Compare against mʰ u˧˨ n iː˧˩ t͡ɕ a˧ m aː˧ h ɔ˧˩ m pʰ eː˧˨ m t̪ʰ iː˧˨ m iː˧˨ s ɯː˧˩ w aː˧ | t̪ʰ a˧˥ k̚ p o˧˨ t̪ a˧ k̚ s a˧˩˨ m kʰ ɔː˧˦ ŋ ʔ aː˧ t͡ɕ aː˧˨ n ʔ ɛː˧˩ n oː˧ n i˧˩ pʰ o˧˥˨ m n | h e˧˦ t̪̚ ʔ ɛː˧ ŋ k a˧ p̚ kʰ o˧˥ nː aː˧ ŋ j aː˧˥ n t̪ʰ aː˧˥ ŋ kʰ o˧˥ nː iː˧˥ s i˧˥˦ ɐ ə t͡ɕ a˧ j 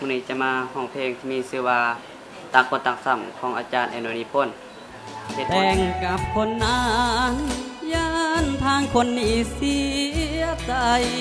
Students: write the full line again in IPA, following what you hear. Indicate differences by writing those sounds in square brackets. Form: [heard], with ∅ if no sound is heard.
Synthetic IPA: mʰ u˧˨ n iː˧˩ t͡ɕ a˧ m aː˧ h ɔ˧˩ [ŋ] pʰ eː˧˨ [ŋ] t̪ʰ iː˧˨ m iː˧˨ s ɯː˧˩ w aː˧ | [t̪] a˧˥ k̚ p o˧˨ t̪ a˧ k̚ s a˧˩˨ m kʰ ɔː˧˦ ŋ ʔ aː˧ t͡ɕ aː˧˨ n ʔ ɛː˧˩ n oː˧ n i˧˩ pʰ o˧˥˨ [∅] n | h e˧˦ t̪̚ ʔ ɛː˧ ŋ k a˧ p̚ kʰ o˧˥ nː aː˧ ŋ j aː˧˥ n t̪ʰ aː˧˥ ŋ kʰ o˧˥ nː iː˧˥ s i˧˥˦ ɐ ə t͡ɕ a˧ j